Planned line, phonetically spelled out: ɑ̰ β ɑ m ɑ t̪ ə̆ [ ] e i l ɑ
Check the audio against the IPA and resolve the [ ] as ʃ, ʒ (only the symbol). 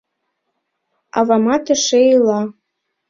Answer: ʃ